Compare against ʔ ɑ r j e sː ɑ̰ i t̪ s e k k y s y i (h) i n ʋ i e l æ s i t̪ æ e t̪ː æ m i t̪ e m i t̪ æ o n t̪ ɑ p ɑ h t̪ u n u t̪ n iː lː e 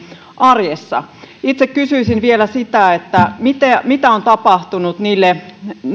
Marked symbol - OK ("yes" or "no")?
no